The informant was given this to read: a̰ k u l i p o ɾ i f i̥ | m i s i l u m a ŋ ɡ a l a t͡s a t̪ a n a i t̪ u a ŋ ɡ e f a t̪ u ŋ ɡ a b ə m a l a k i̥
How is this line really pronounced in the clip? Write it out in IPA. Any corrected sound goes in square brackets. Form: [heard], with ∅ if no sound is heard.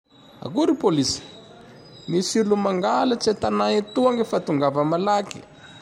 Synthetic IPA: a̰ k u [ɾ] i p o [l] i [s] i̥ | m i s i l u m a ŋ ɡ a l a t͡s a t̪ a n a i t̪ u a ŋ ɡ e f a t̪ u ŋ ɡ a [v] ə m a l a k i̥

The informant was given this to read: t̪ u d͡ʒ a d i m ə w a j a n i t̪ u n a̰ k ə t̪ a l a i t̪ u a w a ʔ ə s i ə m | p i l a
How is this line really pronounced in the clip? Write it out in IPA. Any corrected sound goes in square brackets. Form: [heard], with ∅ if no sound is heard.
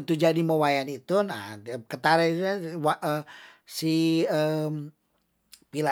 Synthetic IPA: t̪ u d͡ʒ a d i m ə w a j a n i t̪ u n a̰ k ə t̪ a [ɾ] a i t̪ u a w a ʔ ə s i ə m | p i l a

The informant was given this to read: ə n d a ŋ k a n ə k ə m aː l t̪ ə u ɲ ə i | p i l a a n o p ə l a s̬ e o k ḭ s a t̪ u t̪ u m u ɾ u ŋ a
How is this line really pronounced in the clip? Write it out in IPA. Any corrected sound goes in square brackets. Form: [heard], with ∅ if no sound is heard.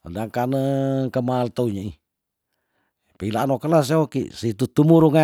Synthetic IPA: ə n d a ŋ k a n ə k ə m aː l t̪ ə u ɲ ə i | p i l a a n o [k] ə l a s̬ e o k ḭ s [i] t̪ u t̪ u m u ɾ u ŋ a

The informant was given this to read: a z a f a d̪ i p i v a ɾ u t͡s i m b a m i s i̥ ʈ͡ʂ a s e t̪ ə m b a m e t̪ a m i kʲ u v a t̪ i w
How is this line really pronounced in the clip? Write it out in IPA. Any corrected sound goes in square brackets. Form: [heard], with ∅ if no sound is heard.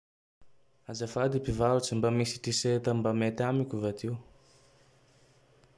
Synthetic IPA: a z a f a d̪ i p i v a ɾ u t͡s i m b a m i s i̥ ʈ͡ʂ [i] s e t̪ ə m b a m e t̪ a m i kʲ u v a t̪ i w

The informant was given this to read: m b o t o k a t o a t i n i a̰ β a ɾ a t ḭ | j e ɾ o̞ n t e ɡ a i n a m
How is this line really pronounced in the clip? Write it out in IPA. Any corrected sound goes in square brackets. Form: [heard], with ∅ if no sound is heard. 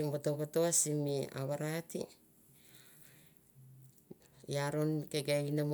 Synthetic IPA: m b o t o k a t o a [s] i [m] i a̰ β a ɾ a t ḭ | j [a] ɾ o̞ n [k] e ɡ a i n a m

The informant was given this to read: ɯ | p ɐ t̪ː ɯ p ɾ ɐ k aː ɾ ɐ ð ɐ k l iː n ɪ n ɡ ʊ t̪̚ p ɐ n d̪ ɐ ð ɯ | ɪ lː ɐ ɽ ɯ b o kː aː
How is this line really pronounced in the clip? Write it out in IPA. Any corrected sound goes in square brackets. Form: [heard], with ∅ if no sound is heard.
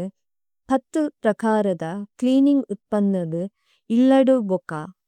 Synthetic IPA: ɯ | p ɐ t̪ː ɯ p ɾ ɐ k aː ɾ ɐ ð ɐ k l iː n ɪ [ŋ] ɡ ʊ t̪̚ p ɐ n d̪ ɐ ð ɯ | ɪ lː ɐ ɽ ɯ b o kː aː

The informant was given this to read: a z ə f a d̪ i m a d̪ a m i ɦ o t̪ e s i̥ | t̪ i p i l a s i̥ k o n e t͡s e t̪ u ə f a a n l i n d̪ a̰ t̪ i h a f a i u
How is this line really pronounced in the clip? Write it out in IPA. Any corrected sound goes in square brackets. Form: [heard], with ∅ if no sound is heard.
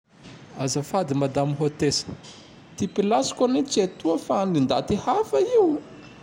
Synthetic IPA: a z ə f a d̪ i m a d̪ a m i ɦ o t̪ e s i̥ | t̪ i p i l a s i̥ k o n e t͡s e t̪ u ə f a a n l i n d̪ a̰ t̪ i h a f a i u

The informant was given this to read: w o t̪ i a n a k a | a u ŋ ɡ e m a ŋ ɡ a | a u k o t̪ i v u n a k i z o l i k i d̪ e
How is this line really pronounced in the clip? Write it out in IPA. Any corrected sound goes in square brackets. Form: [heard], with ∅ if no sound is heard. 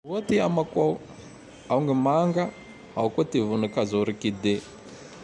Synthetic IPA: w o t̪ i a [m] a k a | a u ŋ ɡ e m a ŋ ɡ a | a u k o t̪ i v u n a k [a] z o [ɾ] i k i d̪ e

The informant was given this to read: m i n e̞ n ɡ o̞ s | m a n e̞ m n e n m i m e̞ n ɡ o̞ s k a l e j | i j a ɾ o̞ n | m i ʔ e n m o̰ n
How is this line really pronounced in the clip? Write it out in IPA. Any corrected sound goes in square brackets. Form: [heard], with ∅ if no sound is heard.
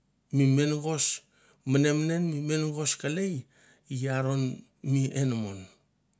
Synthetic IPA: m i [m] e̞ n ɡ o̞ s | m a n e̞ m n e n m i m e̞ n ɡ o̞ s k a l e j | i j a ɾ o̞ n | m i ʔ e n m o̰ n

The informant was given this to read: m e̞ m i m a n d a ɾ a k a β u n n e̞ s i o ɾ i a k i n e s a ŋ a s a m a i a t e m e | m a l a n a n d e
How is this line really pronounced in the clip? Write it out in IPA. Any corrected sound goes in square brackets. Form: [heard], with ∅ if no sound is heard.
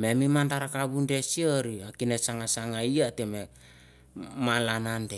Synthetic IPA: m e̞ m i m a n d a ɾ a k a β u n [d] e̞ s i o ɾ i a k i n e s a ŋ a s a [ŋ] a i a t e m e | m a l a n a n d e

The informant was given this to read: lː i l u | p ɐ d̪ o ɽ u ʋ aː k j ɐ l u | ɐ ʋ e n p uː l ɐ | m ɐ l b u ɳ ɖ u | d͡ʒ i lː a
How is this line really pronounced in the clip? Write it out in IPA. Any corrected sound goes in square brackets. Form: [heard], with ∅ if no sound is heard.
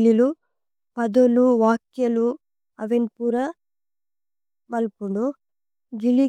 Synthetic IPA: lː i l u | p ɐ d̪ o [l] u ʋ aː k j ɐ l u | ɐ ʋ e n p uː [ɾ] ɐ | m ɐ l [p] u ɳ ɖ u | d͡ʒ i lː [i]

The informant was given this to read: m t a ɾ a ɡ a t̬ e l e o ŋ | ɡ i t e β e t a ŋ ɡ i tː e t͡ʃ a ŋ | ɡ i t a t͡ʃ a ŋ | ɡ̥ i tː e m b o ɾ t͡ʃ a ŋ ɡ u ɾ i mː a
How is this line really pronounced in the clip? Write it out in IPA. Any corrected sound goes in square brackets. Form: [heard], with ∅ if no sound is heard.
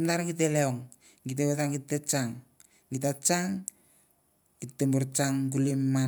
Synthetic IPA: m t a ɾ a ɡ [i] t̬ e l e o ŋ | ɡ i t e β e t a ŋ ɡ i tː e t͡ʃ a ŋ | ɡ i t a t͡ʃ a ŋ | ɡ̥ i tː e m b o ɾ t͡ʃ a ŋ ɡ u [l] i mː a

